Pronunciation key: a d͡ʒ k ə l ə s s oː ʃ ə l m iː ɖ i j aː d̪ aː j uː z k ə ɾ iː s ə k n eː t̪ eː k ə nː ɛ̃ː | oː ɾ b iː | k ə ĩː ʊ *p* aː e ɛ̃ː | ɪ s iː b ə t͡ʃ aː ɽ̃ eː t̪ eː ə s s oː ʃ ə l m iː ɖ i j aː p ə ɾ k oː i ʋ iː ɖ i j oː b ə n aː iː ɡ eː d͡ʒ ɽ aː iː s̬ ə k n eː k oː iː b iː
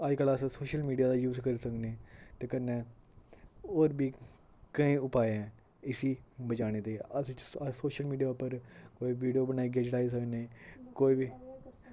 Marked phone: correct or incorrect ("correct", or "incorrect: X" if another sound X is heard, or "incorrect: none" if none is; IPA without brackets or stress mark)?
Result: correct